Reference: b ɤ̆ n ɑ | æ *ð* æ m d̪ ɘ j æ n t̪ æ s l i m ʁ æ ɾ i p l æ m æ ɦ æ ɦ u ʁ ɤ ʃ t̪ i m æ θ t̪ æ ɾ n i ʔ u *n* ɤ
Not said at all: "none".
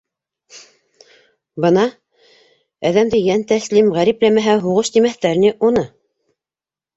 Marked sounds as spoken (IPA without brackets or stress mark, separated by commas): ð, n